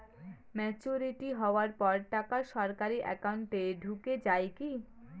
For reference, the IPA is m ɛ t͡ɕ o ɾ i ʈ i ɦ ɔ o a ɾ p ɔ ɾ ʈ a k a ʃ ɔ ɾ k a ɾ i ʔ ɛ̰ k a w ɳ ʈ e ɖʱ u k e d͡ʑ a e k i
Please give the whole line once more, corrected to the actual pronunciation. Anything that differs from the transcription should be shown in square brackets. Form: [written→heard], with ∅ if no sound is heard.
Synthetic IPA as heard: m ɛ t͡ɕ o ɾ i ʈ i ɦ ɔ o a ɾ p ɔ ɾ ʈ a k a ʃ ɔ ɾ k a ɾ i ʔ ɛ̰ k a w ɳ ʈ e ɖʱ u k e d͡ʑ a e k i